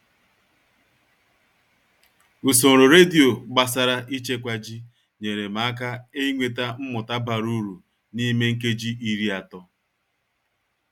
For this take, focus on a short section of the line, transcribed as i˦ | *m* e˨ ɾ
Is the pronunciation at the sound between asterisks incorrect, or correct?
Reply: incorrect